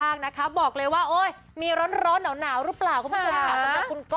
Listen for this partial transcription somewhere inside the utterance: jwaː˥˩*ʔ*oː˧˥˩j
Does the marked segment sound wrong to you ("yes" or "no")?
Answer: no